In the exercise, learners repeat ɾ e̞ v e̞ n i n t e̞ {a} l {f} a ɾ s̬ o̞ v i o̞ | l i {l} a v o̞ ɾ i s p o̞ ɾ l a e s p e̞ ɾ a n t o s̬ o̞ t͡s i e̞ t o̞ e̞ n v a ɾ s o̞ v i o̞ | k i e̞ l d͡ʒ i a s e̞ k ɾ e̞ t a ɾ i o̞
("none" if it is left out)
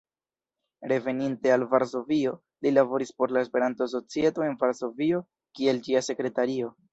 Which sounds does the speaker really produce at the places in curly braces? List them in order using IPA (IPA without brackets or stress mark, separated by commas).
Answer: a, v, l